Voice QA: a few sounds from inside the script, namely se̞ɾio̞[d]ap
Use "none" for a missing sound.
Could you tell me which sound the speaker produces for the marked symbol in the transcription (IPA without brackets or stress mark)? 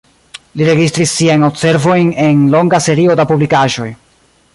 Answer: d